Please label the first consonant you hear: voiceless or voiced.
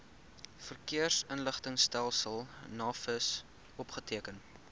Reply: voiceless